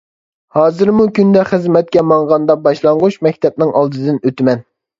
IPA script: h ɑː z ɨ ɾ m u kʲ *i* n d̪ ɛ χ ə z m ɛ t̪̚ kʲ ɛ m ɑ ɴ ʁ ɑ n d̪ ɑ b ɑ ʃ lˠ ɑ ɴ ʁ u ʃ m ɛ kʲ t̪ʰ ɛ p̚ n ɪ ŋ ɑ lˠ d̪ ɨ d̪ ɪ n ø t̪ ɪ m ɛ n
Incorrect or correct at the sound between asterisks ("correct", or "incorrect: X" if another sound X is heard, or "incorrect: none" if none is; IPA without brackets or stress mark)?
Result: incorrect: y